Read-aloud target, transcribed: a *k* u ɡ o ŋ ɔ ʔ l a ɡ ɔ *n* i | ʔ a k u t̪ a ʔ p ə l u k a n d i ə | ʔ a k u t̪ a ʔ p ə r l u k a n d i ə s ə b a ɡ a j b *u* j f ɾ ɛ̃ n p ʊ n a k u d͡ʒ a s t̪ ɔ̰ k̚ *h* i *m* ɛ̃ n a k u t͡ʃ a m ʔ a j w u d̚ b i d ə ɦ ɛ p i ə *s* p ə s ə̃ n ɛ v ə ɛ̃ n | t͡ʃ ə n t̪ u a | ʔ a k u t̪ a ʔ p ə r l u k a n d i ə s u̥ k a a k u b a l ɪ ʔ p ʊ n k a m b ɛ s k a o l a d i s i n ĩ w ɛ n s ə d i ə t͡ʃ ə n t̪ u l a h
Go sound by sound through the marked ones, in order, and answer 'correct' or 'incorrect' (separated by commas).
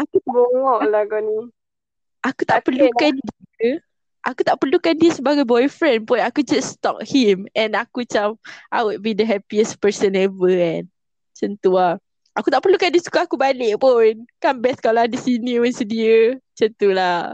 correct, correct, incorrect, correct, correct, correct